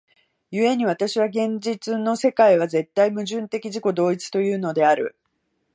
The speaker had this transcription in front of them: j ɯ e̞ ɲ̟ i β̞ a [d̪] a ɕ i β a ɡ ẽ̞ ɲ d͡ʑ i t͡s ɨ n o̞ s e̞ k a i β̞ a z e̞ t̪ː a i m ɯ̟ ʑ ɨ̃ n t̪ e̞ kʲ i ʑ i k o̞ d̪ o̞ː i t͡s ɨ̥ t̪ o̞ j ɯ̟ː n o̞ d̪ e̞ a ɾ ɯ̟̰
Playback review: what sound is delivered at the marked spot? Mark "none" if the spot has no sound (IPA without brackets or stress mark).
t̪